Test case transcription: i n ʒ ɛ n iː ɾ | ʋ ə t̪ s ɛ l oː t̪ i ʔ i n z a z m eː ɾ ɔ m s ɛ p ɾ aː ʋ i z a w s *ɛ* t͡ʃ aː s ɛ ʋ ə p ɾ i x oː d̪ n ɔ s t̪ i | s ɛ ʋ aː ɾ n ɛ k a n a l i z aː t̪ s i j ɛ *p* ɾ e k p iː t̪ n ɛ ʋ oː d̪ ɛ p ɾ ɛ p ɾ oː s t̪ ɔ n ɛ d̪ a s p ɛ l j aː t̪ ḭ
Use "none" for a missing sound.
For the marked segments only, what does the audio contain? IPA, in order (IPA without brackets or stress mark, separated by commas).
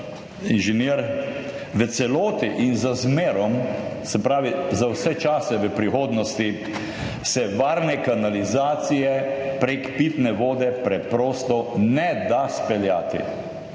ɛ, p